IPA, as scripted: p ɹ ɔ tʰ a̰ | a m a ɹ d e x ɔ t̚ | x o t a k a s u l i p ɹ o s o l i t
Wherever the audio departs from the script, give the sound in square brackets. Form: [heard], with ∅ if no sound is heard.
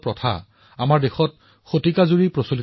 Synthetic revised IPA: p ɹ ɔ tʰ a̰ | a m a ɹ d e x ɔ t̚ | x o t [i] k a [z] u [ɹ] i p ɹ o s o l i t